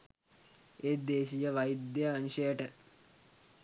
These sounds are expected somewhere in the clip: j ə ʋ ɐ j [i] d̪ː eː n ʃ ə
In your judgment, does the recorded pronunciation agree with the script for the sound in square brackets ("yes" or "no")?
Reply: yes